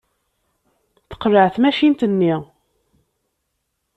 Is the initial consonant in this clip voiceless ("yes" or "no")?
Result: yes